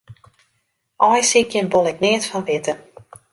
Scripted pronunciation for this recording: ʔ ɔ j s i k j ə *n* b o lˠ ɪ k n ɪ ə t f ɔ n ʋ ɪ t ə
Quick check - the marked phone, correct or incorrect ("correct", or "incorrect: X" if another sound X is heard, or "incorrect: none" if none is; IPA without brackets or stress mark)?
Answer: correct